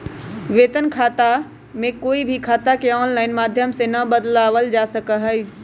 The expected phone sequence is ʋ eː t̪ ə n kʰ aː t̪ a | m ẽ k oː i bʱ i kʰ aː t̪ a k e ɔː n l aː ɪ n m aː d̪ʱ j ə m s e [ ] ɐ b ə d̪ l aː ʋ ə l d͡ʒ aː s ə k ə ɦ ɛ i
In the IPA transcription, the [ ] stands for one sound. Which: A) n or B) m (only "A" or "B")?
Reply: A